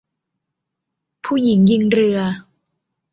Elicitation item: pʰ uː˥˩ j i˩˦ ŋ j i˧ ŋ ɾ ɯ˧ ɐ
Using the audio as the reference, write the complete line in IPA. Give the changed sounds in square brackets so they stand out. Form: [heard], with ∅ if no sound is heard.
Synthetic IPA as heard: pʰ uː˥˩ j i˩˦ ŋ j i˧ ŋ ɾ ɯ˧ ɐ